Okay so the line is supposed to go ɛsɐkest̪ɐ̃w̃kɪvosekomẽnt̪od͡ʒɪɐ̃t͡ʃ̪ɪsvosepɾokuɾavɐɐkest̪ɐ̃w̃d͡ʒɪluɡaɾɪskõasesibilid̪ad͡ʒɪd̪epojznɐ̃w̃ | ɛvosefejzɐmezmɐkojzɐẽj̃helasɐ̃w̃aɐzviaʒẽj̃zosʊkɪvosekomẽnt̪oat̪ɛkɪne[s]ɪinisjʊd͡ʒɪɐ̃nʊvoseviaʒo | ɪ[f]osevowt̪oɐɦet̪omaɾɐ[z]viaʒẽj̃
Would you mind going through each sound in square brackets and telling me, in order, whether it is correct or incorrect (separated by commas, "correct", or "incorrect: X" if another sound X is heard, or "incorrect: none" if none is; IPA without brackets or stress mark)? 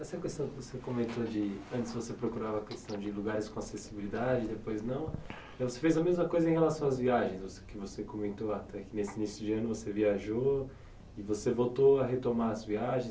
correct, incorrect: v, correct